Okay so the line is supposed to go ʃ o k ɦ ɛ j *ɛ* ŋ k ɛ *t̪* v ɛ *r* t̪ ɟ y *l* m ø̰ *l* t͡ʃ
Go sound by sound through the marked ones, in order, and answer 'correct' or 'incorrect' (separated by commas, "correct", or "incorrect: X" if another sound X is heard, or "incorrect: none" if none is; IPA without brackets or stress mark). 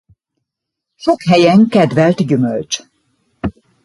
correct, incorrect: d̪, incorrect: l, incorrect: none, correct